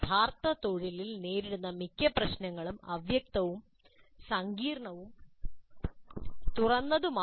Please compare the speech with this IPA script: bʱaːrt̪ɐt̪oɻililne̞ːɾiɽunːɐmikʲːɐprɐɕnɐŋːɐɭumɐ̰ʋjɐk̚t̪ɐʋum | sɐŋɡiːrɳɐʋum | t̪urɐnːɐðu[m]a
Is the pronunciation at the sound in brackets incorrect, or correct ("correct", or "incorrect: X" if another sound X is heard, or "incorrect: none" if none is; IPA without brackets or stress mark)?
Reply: correct